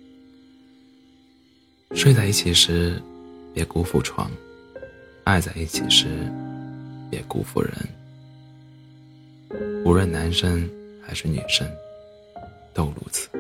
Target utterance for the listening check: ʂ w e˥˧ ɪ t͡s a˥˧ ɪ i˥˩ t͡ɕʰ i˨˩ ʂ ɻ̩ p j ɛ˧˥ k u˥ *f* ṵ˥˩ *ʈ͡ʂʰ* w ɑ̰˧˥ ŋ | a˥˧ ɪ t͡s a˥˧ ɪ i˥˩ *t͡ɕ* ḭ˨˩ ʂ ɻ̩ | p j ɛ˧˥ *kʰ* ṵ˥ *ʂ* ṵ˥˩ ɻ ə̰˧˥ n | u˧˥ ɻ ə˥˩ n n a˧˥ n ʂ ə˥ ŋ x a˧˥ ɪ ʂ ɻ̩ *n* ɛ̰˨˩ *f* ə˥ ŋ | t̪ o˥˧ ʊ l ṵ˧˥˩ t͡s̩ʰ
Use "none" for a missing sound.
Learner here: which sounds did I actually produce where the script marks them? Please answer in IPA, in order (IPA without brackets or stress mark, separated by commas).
f, ʈ͡ʂʰ, t͡ɕʰ, k, f, n, ʂ